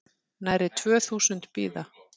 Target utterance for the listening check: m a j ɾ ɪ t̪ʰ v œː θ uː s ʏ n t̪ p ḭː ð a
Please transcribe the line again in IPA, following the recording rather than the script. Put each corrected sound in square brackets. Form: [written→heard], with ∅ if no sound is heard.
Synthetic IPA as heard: [m→n] a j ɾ ɪ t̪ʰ v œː θ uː s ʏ n t̪ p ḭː ð a

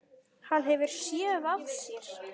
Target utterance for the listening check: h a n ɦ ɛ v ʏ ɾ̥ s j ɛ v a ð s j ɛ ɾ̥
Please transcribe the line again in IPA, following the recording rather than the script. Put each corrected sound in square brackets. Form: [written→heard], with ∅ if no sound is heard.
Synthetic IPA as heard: h a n ɦ ɛ v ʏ ɾ̥ s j ɛ v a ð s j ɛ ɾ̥

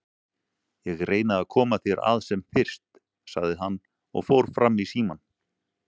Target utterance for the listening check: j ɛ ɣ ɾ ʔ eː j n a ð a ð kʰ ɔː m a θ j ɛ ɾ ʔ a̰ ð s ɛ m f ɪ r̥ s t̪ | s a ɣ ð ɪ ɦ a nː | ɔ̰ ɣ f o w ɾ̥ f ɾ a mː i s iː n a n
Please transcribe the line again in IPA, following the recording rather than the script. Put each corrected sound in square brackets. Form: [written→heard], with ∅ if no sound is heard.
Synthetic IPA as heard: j ɛ ɣ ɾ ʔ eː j n a ð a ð kʰ ɔː m a θ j ɛ ɾ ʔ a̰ ð s ɛ m f ɪ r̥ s t̪ | s a ɣ ð ɪ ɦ a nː | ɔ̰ ɣ f o w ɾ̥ f ɾ a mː i s iː [n→m] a n

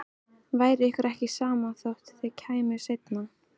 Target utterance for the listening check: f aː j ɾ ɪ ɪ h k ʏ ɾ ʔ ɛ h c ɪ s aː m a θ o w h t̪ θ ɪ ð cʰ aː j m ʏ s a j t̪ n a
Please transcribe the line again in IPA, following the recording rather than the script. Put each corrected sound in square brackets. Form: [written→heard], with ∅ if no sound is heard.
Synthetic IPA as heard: [f→v] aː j ɾ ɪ ɪ h k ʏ ɾ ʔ ɛ h c ɪ s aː m a θ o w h t̪ θ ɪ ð cʰ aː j m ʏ s [a→e] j t̪ n a

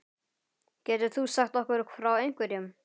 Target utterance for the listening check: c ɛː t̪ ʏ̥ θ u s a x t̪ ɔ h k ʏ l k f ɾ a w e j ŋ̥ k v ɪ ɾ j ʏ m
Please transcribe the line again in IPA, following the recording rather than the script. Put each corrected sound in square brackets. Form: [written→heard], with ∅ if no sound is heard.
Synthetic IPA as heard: c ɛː t̪ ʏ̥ θ u s a x t̪ ɔ h k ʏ [l→ɾ] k f ɾ a w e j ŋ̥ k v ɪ ɾ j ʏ m

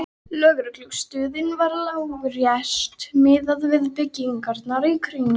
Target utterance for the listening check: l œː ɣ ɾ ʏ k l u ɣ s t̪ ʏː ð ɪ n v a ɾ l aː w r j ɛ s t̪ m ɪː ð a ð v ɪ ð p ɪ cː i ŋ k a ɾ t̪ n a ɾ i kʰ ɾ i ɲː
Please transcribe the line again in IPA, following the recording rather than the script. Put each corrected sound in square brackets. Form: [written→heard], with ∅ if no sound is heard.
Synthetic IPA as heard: l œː ɣ ɾ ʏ k l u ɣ s t̪ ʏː ð ɪ n v a ɾ l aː w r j ɛ s t̪ m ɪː ð a ð v ɪ ð p ɪ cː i ŋ k a ɾ t̪ n a ɾ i kʰ ɾ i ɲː

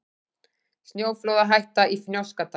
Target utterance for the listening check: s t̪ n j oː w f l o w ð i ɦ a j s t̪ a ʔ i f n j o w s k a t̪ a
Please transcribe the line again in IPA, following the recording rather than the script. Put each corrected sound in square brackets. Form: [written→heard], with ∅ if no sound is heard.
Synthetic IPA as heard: s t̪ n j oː w f l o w ð [i→a] ɦ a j [s→h] t̪ a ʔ i f n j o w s k a t̪ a

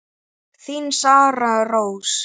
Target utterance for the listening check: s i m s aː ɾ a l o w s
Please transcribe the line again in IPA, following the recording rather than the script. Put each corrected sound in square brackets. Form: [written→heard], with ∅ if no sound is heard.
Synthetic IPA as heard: [s→θ] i [m→n] s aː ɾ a [l→r] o w s

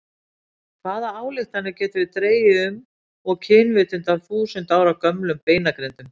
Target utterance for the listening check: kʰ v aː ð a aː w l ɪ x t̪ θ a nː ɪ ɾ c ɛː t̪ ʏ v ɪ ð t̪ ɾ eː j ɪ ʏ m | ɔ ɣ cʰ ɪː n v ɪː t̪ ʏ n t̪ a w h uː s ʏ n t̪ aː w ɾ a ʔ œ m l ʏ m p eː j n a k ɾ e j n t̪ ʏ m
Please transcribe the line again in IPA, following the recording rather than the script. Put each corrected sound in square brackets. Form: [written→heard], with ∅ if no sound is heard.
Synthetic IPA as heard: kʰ v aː ð a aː w l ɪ x t̪ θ a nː ɪ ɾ c ɛː t̪ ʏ v ɪ ð t̪ ɾ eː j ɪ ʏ m | ɔ ɣ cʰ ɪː n v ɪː t̪ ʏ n t̪ a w [h→θ] uː s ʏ n t̪ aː w ɾ a [ʔ→k] œ m l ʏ m p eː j n a k ɾ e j n t̪ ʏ m

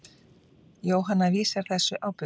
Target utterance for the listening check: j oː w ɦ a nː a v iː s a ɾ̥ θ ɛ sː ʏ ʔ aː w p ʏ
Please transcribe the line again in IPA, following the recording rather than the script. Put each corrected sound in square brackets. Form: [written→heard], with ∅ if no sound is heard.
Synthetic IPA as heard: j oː w ɦ a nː a v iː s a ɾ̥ θ ɛ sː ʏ ʔ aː w p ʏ

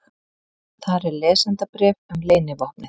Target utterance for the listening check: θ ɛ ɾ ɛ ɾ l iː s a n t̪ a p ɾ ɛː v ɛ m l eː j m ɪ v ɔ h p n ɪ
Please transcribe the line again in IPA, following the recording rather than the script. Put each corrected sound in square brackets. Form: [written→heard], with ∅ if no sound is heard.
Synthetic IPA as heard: θ [ɛ→a] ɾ ɛ ɾ l [iː→ɛː] s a n t̪ a p ɾ ɛː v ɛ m l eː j [m→n] ɪ v ɔ h p n ɪ

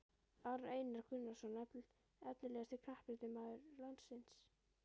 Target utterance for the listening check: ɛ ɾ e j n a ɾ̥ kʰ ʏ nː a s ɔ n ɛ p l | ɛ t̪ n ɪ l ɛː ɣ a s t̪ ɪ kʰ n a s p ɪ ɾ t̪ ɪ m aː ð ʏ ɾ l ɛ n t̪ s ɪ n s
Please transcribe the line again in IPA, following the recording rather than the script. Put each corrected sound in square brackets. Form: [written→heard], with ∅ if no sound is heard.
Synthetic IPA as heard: [ɛ→a] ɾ e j n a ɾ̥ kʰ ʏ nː a s ɔ n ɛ p l | ɛ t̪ n ɪ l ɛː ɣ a s t̪ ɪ kʰ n a [s→h] p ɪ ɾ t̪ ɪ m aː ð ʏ ɾ l [ɛ→a] n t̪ s ɪ n s

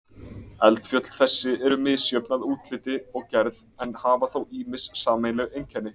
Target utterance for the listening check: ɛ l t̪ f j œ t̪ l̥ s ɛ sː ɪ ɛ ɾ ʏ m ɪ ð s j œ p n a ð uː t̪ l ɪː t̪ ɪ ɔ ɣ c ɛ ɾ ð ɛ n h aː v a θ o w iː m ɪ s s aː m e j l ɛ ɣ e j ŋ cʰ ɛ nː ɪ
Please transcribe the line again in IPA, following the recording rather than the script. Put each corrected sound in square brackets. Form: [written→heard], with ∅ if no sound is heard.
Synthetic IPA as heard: ɛ l t̪ f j œ t̪ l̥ [s→θ] ɛ sː ɪ ɛ ɾ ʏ m ɪ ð s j œ p n a ð uː t̪ l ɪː t̪ ɪ ɔ ɣ c ɛ ɾ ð ɛ n h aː v a θ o w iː m ɪ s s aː m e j l ɛ ɣ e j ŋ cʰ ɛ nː ɪ

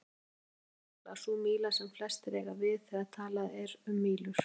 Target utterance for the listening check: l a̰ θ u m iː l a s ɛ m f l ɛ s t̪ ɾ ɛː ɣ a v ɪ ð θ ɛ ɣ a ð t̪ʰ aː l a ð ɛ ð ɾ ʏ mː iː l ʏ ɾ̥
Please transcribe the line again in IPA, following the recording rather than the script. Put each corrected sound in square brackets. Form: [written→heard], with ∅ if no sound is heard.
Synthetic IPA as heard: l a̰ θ u m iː l a s ɛ m f l ɛ s t̪ ɾ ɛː ɣ a v ɪ ð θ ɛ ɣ a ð t̪ʰ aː l a ð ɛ [ð→∅] ɾ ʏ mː iː l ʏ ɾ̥

